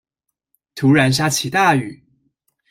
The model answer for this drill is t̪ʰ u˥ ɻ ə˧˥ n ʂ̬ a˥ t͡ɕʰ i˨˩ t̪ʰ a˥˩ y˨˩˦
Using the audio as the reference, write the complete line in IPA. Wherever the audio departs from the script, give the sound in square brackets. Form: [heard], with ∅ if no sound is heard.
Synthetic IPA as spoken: t̪ʰ [u˧˥] ɻ [a˧˥] n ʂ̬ a˥ t͡ɕʰ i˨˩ [t̪] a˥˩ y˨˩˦